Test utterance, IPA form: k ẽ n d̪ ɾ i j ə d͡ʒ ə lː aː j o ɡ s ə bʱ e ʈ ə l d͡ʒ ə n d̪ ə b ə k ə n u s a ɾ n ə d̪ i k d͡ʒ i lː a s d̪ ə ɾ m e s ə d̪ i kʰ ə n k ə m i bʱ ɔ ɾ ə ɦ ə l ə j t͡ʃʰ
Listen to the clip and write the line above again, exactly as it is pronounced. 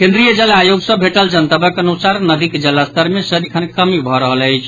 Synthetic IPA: k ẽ n d̪ ɾ i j ə d͡ʒ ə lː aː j o ɡ s ə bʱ e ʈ ə l d͡ʒ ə n t̪ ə b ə k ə n u s a ɾ n ə d̪ i k d͡ʒ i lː a s t̪ ə ɾ m e s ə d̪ i kʰ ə n k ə m i bʱ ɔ ɾ ə ɦ ə l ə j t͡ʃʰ